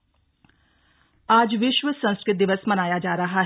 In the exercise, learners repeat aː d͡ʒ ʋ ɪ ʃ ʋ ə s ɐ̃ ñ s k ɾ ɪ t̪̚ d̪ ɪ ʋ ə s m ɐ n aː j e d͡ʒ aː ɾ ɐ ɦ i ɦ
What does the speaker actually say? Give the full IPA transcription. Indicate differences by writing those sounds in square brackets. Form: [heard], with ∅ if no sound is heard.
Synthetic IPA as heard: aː d͡ʒ ʋ ɪ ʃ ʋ ə s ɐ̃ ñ s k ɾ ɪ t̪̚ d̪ ɪ ʋ ə s m ɐ n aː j [a] d͡ʒ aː ɾ ɐ ɦ [a] ɦ